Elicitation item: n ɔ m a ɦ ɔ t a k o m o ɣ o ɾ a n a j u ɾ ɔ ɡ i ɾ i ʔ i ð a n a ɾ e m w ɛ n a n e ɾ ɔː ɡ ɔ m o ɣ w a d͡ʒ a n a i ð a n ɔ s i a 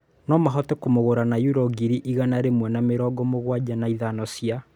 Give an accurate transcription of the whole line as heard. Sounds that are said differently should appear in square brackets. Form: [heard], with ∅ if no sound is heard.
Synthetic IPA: n ɔ m a ɦ ɔ t [ɛ] k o m o ɣ o ɾ a n a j u ɾ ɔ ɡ i ɾ i ʔ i [ɣ] a n a ɾ e m w ɛ n a [m] e ɾ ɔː ɡ ɔ m o ɣ w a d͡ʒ a n a i ð a n ɔ s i a